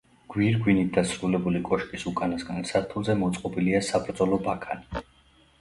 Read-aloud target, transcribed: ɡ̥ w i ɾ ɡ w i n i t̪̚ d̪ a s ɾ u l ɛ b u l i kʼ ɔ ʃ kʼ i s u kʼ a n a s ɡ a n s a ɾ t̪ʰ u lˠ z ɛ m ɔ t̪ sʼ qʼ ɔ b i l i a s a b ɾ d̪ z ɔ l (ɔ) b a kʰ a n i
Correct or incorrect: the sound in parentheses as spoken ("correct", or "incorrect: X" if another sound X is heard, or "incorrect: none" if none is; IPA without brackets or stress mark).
correct